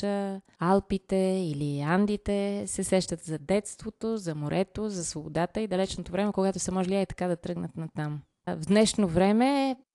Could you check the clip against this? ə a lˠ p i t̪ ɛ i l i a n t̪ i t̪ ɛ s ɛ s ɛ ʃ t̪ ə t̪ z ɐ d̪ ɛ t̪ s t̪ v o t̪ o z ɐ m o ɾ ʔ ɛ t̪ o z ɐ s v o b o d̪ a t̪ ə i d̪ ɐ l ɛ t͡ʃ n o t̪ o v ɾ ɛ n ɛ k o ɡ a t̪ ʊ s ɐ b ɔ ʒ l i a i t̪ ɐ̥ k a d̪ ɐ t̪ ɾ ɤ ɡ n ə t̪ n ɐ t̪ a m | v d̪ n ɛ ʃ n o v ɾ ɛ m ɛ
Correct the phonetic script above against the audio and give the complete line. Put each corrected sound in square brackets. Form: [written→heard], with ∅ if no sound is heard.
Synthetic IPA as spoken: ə a lˠ p i t̪ ɛ i l i a n [t̪→d̪] i t̪ ɛ s ɛ s ɛ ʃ t̪ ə t̪ z ɐ d̪ ɛ t̪ s t̪ v o t̪ o z ɐ m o ɾ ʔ ɛ t̪ o z ɐ s v o b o d̪ a t̪ ə i d̪ ɐ l ɛ t͡ʃ n o t̪ o v ɾ ɛ [n→m] ɛ k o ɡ a t̪ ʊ s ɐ [b→m] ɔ ʒ l i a i t̪ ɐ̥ k a d̪ ɐ t̪ ɾ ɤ ɡ n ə t̪ n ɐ t̪ a m | v d̪ n ɛ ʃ n o v ɾ ɛ m ɛ